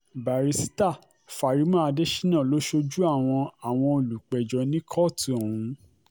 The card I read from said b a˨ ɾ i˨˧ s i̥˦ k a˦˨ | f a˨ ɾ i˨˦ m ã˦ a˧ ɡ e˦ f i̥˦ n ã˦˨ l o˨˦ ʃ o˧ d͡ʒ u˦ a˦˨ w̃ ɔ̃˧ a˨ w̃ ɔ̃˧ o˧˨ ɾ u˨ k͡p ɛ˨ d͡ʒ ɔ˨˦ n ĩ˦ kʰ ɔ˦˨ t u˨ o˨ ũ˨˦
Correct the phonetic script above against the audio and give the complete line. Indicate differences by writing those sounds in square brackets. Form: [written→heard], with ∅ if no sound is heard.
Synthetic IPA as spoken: b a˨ ɾ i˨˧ s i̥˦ [k→t] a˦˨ | f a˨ ɾ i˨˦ m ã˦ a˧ [ɡ→d] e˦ [f→ʃ] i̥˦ n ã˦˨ l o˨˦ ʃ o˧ d͡ʒ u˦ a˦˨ w̃ ɔ̃˧ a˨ w̃ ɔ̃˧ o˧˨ [ɾ→l] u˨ k͡p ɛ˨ d͡ʒ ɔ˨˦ n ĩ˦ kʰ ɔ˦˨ t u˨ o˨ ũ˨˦